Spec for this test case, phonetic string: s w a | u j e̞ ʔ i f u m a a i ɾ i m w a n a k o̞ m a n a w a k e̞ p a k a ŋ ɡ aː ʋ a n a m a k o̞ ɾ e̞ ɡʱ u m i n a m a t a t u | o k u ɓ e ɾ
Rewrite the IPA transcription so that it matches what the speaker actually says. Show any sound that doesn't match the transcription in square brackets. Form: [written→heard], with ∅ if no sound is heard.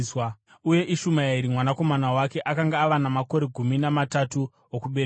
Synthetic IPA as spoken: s w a | u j e̞ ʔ i [f→ʃ] u m a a i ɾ i m w a n a k o̞ m a n a w a k e̞ [p→ʔ] a k a ŋ ɡ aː ʋ a n a m a k o̞ ɾ e̞ ɡʱ u m i n a m a t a t u | o k u ɓ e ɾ